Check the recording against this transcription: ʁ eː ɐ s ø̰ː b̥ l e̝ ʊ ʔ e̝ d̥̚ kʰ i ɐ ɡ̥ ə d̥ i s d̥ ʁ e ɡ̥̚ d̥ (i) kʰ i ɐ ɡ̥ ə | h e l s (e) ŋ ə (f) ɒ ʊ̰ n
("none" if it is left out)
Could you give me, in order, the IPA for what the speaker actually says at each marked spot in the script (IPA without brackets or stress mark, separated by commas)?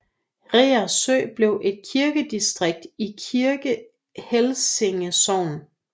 i, e, s